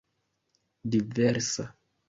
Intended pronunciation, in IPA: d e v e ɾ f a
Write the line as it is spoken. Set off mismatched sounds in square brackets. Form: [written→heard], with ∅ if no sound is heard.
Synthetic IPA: d [e→i] v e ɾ [f→s] a

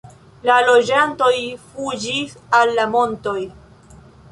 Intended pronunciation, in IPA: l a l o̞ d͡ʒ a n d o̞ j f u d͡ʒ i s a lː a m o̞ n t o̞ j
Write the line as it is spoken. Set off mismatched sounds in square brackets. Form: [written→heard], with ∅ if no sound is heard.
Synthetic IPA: l a l o̞ d͡ʒ a n [d→t] o̞ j f u d͡ʒ i s a lː a m o̞ n t o̞ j

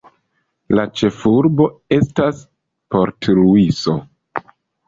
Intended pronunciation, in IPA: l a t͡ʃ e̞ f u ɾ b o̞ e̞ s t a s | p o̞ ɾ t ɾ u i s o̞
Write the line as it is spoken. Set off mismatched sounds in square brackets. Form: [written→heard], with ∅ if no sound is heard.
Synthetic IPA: l a t͡ʃ e̞ f u ɾ b o̞ e̞ s t a s | p o̞ ɾ t ɾ u i s o̞

